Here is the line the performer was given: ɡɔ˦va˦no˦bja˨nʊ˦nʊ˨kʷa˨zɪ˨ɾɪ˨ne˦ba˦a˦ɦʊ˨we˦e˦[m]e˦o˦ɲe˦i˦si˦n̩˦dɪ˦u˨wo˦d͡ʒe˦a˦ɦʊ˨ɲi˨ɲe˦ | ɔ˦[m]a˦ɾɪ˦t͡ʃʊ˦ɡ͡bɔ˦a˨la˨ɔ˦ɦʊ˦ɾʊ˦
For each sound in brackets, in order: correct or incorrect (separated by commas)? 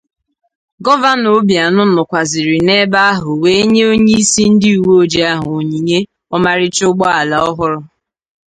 incorrect, correct